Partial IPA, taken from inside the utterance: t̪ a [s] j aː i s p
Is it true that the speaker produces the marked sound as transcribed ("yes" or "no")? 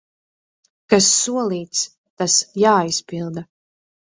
yes